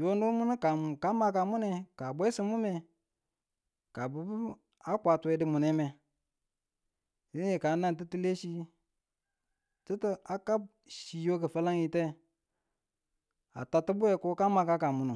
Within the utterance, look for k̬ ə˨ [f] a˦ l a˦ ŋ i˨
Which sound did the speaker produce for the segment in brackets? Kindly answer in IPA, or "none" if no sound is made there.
f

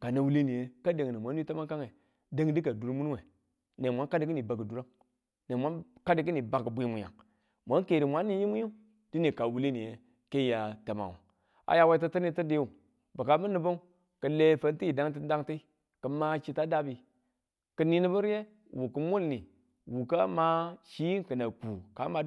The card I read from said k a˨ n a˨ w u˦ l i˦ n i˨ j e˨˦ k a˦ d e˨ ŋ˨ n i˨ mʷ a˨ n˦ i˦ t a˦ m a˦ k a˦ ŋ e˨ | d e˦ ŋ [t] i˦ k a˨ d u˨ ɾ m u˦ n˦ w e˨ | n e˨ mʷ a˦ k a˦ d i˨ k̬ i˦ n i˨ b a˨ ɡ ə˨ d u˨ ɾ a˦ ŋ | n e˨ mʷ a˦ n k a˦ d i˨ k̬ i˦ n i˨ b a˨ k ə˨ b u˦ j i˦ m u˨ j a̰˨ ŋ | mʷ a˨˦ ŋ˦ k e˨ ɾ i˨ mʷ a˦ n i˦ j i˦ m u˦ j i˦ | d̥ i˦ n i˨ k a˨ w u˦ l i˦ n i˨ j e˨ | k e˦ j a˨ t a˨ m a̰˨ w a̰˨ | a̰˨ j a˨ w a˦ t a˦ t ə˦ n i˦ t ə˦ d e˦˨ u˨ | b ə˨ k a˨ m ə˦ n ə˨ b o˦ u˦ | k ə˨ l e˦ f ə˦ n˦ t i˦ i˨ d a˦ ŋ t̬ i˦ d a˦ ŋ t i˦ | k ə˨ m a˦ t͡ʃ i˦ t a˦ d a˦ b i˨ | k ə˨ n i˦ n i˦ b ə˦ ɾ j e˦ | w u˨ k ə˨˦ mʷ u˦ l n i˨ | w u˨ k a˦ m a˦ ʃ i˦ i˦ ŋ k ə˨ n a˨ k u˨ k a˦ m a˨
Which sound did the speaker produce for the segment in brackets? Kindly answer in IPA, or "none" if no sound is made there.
d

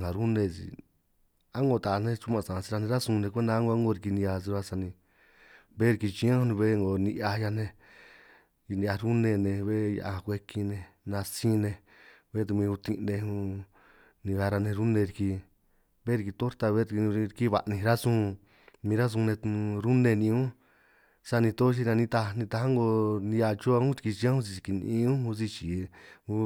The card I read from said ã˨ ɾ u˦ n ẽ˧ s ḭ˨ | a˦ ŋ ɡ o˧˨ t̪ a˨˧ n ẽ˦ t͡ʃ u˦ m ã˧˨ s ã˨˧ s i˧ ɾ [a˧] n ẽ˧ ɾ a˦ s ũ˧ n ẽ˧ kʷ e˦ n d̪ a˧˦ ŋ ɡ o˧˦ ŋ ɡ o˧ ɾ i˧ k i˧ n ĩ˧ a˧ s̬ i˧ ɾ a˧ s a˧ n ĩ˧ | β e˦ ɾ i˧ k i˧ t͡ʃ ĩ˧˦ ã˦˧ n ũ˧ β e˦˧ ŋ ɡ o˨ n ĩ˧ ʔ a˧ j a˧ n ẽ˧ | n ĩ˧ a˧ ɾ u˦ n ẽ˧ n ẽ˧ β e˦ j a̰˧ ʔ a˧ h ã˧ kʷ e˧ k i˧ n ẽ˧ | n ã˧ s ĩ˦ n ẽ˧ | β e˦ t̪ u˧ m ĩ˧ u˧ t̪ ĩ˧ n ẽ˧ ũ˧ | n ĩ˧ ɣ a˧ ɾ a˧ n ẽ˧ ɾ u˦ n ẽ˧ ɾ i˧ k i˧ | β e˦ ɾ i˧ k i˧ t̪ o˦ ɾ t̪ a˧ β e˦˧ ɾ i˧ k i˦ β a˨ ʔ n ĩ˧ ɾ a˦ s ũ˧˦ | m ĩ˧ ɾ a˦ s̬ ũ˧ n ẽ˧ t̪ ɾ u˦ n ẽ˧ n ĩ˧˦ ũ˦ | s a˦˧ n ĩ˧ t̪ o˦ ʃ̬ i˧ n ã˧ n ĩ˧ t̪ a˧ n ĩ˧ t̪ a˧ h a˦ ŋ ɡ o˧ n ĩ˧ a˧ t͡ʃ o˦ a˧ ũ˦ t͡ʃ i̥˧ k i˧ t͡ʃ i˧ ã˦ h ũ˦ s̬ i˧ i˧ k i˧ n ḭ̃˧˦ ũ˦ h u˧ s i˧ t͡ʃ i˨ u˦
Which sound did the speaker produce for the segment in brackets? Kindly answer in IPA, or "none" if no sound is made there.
a˧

